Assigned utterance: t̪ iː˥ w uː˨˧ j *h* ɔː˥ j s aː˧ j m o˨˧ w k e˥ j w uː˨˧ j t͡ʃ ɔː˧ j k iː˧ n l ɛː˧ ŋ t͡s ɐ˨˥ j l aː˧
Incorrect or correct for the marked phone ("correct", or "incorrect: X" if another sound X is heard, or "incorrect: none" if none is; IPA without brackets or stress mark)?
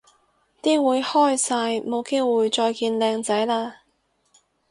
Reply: correct